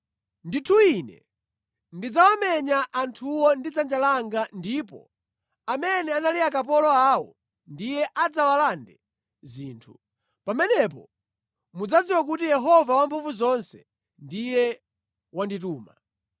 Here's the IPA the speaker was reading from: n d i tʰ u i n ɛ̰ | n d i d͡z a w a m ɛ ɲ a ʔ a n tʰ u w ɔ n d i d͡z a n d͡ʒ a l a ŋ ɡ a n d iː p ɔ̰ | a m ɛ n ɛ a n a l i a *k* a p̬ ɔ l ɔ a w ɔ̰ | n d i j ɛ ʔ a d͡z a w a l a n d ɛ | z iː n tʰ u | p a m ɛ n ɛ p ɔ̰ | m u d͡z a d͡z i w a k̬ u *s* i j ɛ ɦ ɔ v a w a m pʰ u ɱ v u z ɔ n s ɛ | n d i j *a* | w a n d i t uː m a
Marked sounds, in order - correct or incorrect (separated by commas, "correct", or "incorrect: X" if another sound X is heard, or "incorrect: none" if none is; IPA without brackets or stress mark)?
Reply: correct, incorrect: t, incorrect: ɛ